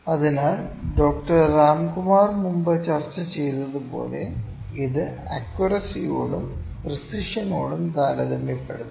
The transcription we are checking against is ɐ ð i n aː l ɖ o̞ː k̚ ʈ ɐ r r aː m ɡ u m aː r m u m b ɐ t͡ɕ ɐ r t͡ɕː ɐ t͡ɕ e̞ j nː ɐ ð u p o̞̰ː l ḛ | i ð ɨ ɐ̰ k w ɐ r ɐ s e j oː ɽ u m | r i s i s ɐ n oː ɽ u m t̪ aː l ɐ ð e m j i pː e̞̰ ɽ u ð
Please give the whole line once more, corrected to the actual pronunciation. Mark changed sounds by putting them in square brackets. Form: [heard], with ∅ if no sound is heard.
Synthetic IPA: ɐ ð i n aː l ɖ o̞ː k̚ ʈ ɐ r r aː m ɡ u m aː r m u m b ɐ t͡ɕ ɐ r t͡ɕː ɐ t͡ɕ e̞ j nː ɐ ð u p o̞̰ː l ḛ | i ð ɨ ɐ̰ k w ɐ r ɐ s [i] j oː ɽ u m | r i s i [ʂ] ɐ n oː ɽ u m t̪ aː l ɐ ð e m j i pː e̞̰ ɽ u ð